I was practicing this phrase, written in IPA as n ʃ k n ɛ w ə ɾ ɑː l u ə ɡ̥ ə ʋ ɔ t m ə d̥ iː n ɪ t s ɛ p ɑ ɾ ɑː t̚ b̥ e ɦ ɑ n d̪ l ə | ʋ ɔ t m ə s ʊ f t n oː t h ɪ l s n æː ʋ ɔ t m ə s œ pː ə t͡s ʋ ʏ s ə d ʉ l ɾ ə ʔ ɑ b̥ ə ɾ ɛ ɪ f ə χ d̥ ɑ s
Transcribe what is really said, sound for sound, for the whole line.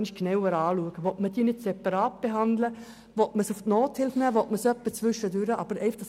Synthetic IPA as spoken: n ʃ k n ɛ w ə ɾ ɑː l u ə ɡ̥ ə ʋ ɔ t m ə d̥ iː n ɪ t s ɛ p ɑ ɾ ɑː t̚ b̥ e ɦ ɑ n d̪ l ə | ʋ ɔ t m ə s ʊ f t n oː t h ɪ l f n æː ʋ ɔ t m ə s œ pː ə t͡s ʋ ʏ ʃ ə d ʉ ɾ ə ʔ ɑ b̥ ə ɾ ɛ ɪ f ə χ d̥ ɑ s